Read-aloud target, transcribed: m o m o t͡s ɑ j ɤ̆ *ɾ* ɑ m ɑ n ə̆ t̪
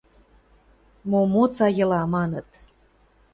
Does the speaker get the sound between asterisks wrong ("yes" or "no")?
yes